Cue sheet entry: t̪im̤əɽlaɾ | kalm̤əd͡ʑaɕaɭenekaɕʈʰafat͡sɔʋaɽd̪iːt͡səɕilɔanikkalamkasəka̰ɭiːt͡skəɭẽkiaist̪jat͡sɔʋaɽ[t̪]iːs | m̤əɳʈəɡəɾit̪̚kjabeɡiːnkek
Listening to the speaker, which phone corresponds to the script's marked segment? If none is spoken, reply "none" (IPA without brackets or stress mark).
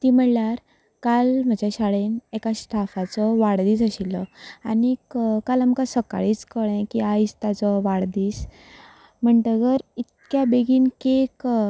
d̪